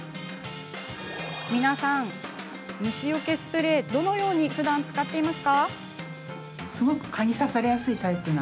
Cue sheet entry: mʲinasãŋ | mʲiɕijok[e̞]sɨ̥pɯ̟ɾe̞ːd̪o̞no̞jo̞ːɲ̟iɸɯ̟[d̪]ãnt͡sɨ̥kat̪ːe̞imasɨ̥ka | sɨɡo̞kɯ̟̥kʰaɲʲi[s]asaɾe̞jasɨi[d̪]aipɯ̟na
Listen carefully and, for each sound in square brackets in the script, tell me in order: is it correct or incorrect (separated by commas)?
correct, correct, correct, incorrect